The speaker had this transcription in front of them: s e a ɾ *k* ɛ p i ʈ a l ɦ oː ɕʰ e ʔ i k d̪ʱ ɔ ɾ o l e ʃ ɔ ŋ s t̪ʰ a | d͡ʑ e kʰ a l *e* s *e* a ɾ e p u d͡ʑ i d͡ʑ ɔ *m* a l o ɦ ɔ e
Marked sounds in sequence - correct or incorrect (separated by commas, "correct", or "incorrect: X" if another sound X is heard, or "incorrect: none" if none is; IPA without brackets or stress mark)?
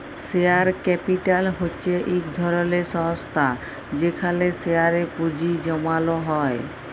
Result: correct, correct, correct, correct